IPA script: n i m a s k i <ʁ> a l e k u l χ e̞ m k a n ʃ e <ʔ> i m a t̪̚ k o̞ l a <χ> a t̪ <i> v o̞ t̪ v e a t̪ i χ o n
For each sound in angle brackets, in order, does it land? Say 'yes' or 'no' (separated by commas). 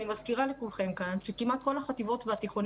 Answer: yes, no, yes, yes